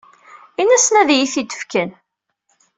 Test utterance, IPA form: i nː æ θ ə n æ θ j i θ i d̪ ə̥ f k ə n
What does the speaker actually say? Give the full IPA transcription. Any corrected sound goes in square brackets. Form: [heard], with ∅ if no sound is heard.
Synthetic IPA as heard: i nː æ [s] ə n æ [ð] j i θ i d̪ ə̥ f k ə n